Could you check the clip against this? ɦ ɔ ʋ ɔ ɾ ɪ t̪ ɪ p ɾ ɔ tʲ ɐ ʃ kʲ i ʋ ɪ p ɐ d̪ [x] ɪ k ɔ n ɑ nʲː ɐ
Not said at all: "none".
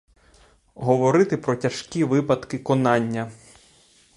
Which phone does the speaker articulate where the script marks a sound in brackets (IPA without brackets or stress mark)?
k